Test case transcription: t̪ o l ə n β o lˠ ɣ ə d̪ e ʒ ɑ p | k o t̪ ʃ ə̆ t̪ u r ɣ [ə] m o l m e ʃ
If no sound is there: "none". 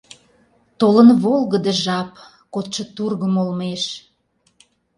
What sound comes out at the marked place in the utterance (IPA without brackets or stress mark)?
ə